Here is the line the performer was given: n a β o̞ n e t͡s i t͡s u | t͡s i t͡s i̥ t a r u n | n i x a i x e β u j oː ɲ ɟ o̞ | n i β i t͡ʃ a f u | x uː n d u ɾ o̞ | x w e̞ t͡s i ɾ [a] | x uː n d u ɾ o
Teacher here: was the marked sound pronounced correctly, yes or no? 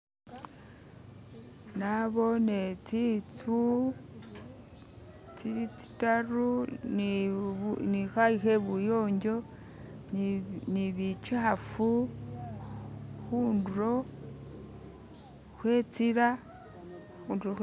yes